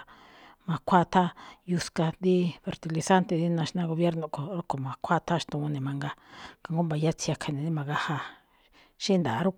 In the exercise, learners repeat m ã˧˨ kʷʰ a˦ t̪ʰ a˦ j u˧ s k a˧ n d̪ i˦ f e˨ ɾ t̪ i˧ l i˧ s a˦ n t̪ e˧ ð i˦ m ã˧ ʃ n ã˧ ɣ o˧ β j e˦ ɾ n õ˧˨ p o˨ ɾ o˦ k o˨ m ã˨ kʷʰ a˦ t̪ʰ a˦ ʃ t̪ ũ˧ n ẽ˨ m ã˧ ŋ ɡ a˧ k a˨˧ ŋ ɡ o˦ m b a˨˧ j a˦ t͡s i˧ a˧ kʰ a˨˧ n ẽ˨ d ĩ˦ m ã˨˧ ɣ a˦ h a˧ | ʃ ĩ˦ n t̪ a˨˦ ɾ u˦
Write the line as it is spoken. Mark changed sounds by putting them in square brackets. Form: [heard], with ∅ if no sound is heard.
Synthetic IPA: m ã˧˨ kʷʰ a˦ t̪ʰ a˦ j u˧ s k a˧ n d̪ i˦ f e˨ ɾ t̪ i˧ l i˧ s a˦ n t̪ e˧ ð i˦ [n] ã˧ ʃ n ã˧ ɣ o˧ β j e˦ ɾ n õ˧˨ [k] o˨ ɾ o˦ k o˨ m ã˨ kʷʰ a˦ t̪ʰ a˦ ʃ t̪ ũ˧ n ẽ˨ m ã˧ ŋ ɡ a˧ k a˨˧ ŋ ɡ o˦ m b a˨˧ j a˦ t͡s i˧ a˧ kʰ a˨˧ n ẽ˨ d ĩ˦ m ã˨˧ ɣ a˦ h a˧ | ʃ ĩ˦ n [d̪] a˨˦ ɾ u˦